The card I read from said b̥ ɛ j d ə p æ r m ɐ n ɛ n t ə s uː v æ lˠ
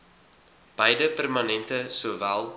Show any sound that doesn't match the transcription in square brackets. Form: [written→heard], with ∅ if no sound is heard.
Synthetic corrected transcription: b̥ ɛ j d ə p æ r m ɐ n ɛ n t ə s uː v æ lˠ